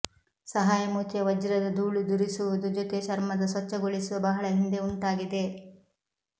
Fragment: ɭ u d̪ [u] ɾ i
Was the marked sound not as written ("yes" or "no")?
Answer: no